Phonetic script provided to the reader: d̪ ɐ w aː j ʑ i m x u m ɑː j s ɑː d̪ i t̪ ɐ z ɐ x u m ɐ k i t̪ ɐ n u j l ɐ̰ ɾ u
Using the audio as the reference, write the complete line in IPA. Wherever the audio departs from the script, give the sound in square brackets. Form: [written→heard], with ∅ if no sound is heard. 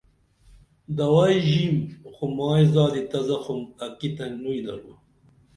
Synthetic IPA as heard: d̪ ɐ w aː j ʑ i m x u m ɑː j [s→z] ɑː d̪ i t̪ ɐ z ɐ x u m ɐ k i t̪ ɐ n u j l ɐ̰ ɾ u